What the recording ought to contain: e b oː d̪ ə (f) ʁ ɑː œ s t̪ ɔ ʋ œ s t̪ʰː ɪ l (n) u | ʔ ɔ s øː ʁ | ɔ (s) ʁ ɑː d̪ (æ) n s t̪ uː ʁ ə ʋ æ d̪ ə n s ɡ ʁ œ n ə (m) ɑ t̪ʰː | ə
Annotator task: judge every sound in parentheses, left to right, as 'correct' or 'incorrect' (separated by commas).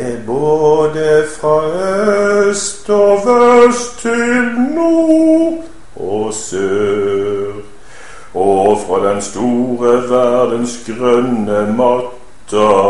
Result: correct, correct, incorrect, incorrect, correct